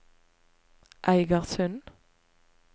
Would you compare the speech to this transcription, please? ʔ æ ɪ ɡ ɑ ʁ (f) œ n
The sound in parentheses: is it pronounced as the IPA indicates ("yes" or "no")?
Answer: no